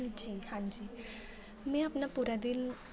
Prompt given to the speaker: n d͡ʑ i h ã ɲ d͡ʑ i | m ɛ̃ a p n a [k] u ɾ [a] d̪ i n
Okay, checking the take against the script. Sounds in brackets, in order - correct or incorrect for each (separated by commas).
incorrect, correct